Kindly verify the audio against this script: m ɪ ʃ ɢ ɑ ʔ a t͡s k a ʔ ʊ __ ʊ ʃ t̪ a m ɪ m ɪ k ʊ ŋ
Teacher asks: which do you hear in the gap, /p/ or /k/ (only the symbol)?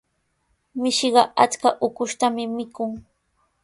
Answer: k